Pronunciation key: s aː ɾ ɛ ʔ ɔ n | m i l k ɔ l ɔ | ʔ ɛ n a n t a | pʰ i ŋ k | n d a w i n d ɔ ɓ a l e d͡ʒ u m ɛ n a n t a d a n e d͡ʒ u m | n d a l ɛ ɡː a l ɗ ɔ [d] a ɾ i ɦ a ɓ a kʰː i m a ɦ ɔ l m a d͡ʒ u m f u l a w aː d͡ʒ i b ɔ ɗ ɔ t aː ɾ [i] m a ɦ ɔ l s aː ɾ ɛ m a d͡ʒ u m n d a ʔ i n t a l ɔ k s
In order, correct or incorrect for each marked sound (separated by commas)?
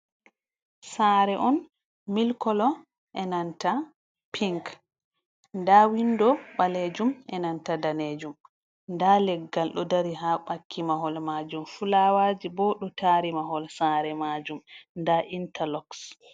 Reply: correct, correct